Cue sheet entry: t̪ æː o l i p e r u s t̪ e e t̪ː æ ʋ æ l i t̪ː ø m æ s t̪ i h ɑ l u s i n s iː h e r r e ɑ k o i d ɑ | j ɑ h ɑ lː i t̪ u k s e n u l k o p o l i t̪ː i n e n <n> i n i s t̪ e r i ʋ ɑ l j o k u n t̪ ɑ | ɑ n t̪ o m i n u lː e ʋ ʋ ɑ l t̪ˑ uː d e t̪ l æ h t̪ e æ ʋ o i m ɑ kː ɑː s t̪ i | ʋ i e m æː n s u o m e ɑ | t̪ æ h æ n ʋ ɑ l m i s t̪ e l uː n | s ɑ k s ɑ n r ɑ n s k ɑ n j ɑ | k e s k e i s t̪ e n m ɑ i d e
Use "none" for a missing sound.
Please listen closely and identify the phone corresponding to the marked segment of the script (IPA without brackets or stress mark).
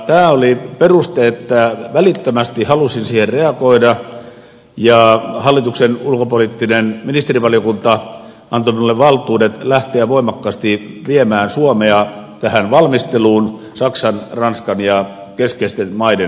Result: m